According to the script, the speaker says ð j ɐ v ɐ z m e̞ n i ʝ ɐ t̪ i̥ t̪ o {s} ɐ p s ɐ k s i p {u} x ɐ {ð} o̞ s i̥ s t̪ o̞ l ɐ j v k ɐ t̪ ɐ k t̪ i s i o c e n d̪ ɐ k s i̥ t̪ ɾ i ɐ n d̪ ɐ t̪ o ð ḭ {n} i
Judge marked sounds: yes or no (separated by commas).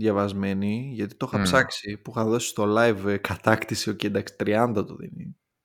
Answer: no, yes, yes, yes